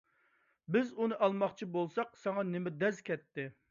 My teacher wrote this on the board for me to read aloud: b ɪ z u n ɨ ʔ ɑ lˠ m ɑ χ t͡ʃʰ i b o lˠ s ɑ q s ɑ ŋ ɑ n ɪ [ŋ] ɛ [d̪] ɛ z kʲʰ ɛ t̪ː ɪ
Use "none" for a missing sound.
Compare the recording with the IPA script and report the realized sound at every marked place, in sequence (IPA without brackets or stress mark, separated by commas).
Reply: m, d̪